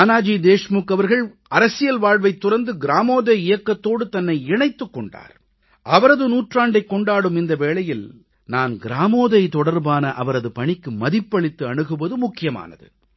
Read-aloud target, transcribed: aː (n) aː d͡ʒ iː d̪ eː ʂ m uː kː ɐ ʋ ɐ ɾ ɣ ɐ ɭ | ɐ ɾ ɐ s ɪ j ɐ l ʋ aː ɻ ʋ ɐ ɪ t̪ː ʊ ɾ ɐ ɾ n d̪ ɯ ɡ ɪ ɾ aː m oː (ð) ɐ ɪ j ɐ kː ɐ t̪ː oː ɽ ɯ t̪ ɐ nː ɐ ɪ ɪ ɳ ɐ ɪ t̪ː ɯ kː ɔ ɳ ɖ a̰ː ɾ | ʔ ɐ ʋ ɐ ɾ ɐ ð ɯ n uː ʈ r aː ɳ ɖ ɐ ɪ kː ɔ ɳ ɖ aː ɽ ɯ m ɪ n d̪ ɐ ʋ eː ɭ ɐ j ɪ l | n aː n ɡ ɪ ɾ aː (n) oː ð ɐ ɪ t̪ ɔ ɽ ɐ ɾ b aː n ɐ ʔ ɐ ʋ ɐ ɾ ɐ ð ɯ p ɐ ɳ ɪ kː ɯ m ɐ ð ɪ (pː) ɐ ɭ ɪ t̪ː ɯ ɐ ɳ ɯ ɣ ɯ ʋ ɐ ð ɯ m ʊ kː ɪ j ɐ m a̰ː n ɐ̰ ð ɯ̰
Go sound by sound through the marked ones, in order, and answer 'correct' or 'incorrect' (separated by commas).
correct, correct, incorrect, correct